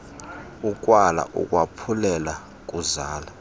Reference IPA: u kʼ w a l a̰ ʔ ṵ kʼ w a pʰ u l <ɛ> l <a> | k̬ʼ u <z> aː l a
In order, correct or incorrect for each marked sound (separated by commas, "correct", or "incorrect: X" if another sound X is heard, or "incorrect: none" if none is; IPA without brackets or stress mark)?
correct, correct, correct